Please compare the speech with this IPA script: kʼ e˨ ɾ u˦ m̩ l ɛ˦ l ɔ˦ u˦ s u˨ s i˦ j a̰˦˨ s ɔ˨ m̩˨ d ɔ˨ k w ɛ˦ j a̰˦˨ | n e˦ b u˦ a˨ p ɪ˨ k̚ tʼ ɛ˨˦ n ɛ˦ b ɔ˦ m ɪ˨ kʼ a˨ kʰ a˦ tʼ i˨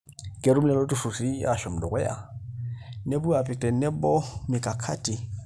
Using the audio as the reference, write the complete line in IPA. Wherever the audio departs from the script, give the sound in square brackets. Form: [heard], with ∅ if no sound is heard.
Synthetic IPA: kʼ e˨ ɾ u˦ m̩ l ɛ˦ l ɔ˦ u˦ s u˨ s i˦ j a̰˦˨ [ʃ] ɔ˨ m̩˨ d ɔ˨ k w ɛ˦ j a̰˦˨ | n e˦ b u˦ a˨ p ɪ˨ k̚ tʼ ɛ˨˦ n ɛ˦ b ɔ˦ m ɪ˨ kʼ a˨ kʰ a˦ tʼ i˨